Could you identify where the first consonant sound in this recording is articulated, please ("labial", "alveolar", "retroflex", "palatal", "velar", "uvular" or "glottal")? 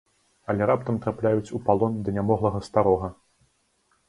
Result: alveolar